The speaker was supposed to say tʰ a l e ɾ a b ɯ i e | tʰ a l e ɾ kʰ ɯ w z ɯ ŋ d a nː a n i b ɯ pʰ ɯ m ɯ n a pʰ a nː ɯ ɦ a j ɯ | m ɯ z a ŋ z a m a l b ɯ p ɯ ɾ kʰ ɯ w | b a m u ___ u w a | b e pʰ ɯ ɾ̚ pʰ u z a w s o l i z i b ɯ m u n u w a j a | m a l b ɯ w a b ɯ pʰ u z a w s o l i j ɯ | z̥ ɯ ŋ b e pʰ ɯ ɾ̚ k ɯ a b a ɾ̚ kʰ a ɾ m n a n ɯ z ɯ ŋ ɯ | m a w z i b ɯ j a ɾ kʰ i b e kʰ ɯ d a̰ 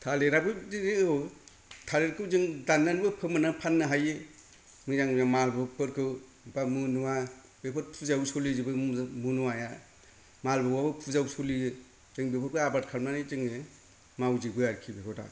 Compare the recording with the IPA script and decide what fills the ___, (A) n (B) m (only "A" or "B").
A